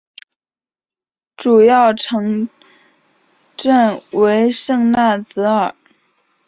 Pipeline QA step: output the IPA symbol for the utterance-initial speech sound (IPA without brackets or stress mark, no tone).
ʈ͡ʂ